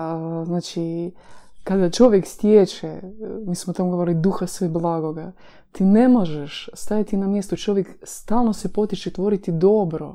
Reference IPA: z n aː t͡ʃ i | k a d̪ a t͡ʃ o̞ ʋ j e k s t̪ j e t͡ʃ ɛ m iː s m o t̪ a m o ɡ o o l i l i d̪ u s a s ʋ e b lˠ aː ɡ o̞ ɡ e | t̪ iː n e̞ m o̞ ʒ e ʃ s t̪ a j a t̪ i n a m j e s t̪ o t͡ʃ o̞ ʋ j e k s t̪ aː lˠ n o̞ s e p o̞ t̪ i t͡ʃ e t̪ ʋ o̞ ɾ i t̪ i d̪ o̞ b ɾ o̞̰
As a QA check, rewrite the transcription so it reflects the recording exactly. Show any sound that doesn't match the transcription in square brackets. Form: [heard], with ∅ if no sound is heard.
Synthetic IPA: z n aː t͡ʃ i | k a d̪ a t͡ʃ o̞ ʋ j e k s t̪ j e t͡ʃ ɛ m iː s m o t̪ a m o ɡ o o [ɾ] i l i d̪ u [x] a s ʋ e b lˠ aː ɡ o̞ ɡ [a] | t̪ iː n e̞ m o̞ ʒ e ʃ s t̪ a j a t̪ i n a m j e s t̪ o t͡ʃ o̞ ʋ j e k s t̪ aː lˠ n o̞ s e p o̞ t̪ i t͡ʃ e t̪ ʋ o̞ ɾ i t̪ i d̪ o̞ b ɾ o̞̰